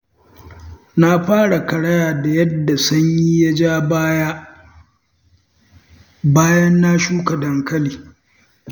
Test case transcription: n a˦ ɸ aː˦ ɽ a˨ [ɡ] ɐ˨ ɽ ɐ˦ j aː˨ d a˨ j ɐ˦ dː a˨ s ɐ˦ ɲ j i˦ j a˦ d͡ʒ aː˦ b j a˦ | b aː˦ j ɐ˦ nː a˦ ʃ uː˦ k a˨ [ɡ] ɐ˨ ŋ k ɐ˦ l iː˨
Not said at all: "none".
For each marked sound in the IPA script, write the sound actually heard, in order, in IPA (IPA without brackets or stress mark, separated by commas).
k, d